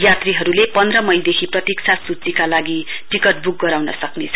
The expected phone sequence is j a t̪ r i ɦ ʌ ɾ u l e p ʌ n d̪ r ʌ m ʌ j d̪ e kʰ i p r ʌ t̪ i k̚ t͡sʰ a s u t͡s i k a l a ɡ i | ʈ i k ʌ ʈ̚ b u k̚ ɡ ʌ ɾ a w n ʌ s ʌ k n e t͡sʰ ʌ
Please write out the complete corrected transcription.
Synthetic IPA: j a t̪ r i ɦ ʌ ɾ u l e p ʌ n d̪ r ʌ m ʌ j d̪ e kʰ i p r ʌ t̪ i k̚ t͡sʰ a s u t͡s i k a l a ɡ i | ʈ i k ʌ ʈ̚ b u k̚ ɡ ʌ ɾ a w n ʌ s ʌ k n e t͡sʰ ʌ